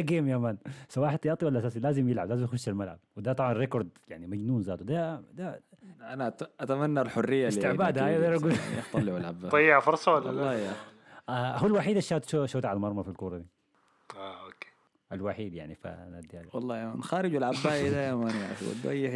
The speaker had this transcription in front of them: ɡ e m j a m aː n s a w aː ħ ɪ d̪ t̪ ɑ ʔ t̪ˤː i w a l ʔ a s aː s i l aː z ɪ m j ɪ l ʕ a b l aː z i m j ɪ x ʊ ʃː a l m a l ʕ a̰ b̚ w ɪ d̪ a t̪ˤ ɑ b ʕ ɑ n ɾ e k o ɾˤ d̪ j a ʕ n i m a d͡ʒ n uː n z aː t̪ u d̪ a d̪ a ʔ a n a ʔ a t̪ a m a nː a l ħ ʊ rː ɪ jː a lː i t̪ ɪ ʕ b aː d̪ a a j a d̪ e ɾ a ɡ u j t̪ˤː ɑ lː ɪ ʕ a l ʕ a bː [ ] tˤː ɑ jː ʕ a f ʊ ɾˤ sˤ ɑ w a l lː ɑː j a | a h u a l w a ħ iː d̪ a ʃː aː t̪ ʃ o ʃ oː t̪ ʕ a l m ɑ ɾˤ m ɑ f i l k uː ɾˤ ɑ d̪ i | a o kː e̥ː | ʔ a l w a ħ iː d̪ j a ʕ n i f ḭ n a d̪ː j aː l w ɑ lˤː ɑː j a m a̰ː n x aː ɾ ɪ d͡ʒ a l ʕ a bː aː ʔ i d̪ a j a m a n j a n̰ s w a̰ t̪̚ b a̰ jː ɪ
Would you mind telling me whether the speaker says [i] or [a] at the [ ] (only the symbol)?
a